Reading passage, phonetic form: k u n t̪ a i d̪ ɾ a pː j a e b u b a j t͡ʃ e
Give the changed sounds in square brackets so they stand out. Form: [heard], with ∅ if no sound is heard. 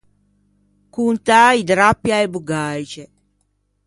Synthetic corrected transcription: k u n t̪ a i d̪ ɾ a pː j a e b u [ɡ] a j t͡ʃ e